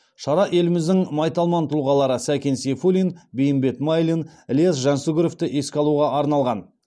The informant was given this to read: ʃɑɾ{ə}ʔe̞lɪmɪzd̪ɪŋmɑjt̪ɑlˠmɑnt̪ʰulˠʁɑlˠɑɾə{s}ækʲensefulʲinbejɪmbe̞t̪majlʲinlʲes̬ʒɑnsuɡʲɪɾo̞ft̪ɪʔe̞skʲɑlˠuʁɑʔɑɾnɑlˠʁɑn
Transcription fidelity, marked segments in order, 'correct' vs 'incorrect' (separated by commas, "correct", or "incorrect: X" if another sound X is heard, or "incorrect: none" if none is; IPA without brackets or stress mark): incorrect: ɑ, correct